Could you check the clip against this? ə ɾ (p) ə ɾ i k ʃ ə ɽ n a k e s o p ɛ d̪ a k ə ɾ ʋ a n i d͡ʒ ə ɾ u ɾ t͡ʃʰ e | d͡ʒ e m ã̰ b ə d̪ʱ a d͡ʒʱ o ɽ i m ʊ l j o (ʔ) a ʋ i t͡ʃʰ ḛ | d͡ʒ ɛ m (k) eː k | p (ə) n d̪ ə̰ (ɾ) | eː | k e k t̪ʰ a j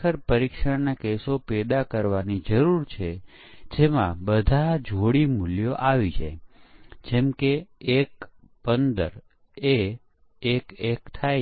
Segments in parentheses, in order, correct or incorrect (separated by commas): correct, correct, correct, correct, correct